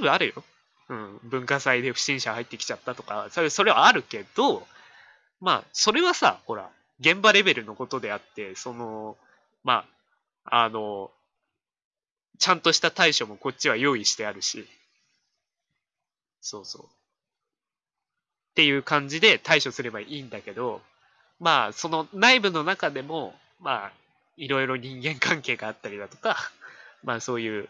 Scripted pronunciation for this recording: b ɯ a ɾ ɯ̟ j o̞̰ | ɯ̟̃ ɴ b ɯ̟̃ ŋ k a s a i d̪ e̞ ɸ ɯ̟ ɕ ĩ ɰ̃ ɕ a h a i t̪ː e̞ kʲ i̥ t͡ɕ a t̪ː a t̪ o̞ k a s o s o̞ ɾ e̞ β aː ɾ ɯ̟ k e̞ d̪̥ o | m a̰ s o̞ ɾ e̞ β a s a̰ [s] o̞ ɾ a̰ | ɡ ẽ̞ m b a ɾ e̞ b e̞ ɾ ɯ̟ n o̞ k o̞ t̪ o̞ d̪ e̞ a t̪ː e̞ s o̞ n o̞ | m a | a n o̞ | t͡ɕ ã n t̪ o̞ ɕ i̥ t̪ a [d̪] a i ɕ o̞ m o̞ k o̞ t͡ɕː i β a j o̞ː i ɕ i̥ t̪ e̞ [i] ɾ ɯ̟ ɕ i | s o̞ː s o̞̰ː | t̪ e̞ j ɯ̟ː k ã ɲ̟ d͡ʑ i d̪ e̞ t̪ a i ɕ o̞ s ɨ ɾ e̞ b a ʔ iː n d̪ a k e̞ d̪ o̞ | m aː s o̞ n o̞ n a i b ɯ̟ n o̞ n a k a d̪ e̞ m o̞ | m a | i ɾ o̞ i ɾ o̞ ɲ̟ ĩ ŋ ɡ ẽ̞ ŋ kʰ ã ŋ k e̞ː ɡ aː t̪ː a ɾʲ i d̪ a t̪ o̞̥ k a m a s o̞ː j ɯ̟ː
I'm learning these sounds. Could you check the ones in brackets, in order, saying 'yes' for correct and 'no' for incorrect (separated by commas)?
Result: no, no, no